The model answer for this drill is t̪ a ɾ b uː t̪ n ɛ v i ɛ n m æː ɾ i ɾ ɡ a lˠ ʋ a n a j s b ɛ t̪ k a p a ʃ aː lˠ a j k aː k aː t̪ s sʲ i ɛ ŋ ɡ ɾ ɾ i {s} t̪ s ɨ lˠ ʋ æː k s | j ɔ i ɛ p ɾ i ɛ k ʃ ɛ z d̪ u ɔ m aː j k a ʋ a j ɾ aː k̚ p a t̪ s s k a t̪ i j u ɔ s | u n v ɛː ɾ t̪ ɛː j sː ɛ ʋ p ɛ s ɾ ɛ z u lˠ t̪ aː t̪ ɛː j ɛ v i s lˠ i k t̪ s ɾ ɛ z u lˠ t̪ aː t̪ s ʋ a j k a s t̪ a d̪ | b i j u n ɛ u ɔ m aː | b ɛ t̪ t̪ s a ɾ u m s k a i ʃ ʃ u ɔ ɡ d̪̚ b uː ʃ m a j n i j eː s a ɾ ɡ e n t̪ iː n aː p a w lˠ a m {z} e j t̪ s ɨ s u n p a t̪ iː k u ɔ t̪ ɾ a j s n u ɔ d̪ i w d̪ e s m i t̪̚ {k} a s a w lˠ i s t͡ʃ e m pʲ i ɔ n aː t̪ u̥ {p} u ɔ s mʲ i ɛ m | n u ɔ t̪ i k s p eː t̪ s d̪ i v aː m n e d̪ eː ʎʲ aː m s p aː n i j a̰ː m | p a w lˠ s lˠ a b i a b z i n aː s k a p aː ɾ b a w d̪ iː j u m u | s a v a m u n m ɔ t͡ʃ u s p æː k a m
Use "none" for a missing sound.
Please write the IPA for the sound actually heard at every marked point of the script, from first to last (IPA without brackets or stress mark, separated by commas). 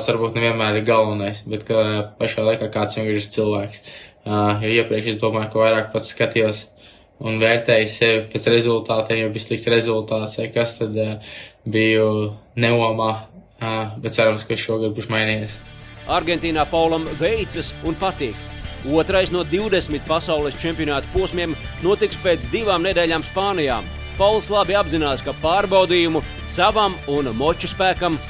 s, v, p, p